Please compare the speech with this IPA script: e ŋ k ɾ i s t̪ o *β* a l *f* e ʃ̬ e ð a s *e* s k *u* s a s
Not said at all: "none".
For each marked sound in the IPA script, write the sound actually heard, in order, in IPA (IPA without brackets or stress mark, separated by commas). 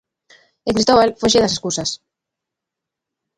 β, f, e, u